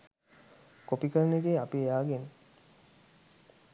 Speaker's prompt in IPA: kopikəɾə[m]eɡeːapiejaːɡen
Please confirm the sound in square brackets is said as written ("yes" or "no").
no